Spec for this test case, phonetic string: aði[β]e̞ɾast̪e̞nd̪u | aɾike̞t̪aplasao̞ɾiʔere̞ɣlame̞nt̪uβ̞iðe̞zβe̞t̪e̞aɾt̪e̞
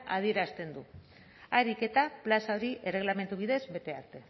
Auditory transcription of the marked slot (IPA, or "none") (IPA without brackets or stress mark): none